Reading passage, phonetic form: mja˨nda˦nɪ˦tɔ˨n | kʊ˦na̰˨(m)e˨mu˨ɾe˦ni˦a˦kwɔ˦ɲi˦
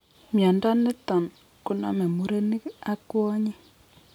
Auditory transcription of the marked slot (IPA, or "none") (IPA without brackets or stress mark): m